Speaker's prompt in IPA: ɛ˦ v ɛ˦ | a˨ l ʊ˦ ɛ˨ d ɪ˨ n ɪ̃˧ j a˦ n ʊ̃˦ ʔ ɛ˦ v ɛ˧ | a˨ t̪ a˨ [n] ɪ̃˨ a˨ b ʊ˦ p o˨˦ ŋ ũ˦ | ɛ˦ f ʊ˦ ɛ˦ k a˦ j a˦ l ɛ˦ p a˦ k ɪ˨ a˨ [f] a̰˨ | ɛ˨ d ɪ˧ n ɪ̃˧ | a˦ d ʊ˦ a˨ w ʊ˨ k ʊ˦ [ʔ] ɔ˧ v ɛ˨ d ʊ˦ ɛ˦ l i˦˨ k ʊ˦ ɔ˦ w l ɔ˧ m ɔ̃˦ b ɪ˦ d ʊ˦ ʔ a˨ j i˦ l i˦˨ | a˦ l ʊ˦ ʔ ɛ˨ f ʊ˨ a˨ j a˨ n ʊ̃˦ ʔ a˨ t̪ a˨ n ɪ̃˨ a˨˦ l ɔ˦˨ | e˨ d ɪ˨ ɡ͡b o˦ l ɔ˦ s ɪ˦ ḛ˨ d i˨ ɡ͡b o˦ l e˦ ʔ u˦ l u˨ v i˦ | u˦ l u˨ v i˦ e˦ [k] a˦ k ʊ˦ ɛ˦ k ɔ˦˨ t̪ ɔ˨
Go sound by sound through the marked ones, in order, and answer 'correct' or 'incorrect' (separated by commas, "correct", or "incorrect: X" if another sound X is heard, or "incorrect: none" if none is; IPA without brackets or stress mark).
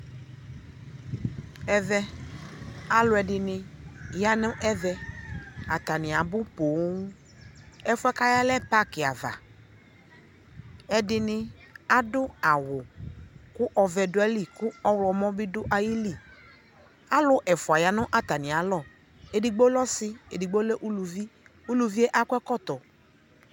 correct, incorrect: v, correct, incorrect: ʔ